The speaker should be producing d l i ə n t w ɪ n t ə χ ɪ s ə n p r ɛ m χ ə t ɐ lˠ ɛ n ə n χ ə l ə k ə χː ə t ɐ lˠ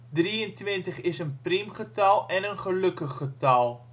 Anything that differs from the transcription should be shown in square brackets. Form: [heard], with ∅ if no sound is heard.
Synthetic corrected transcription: d [r] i ə n t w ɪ n t ə χ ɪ s ə n p r [i] m χ ə t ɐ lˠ ɛ n ə n χ ə l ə k ə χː ə t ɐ lˠ

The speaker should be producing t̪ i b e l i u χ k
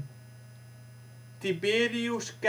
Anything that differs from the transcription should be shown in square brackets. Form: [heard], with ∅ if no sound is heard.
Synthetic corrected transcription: t̪ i b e [ɾ] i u [s] k

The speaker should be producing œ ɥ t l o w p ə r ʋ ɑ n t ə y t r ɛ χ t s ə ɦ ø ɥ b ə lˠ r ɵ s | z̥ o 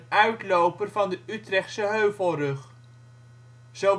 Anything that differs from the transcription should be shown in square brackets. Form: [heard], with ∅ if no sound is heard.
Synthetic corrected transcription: œ ɥ t l o w p ə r [v] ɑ n [d] ə y t r ɛ χ t s ə ɦ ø ɥ [v] ə lˠ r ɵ [χ] | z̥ o

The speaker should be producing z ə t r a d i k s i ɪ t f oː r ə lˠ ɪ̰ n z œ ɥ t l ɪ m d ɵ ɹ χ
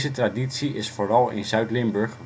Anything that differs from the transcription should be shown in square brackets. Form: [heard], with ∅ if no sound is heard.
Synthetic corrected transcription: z ə t r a d i [t] s i ɪ [s] f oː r [ɑ] lˠ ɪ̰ n z œ ɥ t l ɪ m [b] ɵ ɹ χ

